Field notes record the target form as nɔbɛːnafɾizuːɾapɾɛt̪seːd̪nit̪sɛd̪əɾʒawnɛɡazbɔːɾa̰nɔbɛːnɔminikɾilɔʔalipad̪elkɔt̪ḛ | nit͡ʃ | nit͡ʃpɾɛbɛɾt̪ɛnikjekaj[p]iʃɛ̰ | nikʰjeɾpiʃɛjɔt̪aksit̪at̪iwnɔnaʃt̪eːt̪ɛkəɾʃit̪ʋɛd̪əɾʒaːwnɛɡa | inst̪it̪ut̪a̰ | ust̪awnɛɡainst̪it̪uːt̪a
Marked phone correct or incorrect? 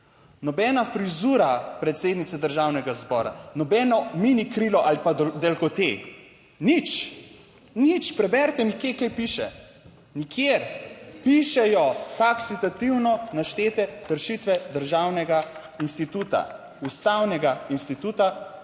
correct